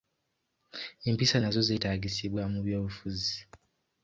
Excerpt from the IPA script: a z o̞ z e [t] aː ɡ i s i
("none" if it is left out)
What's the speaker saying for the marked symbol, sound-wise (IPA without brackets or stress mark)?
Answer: t